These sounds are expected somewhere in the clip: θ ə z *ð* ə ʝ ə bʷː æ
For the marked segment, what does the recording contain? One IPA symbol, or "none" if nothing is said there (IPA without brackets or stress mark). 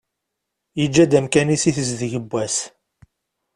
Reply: ð